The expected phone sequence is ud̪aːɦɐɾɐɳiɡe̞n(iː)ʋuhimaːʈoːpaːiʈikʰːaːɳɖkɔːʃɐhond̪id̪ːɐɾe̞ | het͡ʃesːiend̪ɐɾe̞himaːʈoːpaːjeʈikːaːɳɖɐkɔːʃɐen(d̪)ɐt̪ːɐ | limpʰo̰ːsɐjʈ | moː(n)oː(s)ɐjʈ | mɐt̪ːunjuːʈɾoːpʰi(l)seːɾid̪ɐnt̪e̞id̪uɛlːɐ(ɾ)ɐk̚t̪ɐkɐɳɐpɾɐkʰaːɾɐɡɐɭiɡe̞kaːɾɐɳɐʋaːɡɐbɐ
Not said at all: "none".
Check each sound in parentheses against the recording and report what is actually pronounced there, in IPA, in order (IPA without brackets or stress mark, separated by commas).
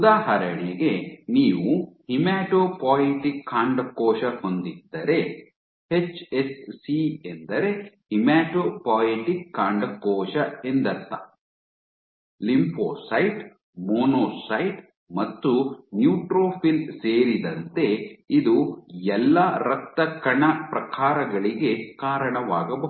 iː, d̪, n, s, l, ɾ